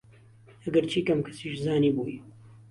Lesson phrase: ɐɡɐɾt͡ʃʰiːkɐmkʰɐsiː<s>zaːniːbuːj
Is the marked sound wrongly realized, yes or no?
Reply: yes